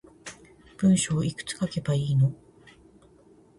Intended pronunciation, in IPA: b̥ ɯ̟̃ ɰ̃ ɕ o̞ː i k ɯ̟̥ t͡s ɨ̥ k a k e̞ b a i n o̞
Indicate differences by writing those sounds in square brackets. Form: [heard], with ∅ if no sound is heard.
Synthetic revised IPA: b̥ ɯ̟̃ ɰ̃ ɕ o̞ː i k ɯ̟̥ t͡s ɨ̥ k a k e̞ b a [iː] n o̞